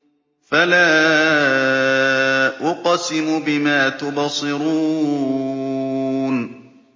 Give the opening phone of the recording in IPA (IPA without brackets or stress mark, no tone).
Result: f